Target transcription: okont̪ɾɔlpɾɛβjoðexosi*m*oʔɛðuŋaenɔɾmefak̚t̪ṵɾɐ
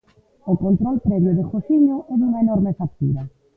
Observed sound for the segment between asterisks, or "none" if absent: ɲ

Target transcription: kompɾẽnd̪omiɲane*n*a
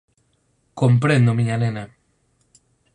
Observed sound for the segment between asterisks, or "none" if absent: n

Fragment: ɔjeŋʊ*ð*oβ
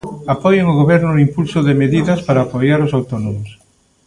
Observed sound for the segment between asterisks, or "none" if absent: ɣ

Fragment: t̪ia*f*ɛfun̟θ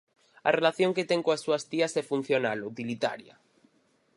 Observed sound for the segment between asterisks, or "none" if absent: s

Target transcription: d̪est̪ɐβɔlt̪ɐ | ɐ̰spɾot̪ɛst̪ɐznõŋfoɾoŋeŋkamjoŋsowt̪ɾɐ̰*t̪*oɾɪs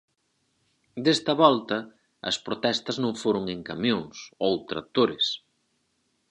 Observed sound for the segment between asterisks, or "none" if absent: t̪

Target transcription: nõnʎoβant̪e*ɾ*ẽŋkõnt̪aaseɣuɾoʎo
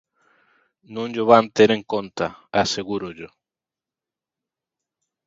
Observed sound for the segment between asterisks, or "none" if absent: ɾ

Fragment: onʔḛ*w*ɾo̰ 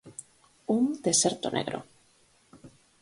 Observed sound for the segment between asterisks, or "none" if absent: ɣ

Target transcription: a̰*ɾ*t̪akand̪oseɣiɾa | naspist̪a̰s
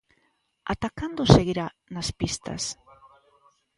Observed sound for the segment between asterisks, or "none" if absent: none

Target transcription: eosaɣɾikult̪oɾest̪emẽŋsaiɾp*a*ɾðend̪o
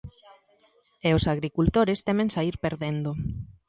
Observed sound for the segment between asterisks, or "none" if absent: e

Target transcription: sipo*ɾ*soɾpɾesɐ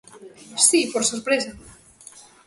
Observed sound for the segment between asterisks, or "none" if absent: ɾ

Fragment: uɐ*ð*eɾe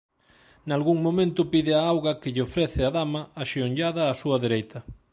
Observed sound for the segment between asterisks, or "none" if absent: ð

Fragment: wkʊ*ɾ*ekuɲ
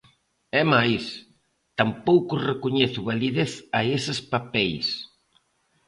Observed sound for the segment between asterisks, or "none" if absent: r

